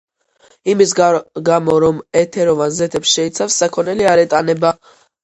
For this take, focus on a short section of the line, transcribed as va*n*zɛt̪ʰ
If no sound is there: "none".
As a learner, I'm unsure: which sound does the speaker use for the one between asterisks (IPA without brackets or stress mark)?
n